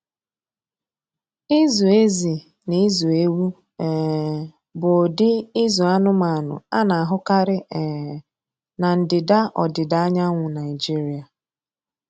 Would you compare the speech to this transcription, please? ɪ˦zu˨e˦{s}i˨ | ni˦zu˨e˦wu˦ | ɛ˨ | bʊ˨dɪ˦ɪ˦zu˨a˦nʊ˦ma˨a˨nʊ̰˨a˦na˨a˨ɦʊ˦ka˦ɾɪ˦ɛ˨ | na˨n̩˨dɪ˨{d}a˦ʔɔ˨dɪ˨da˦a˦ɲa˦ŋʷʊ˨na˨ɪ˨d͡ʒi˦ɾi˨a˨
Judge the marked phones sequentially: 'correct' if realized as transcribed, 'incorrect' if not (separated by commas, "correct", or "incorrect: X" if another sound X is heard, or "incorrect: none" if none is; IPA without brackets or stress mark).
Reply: incorrect: z, correct